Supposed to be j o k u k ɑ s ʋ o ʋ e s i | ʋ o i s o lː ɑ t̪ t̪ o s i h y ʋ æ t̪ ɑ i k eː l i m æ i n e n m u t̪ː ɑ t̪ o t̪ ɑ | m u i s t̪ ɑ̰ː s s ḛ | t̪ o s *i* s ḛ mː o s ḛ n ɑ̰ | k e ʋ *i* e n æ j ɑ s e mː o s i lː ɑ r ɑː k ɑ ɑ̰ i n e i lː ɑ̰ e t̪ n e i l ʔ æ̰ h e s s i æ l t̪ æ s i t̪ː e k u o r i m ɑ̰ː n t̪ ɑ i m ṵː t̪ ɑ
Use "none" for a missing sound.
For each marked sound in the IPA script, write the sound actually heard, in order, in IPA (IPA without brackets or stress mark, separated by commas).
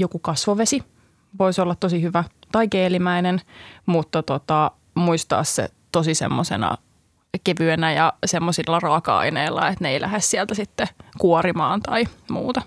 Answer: i, y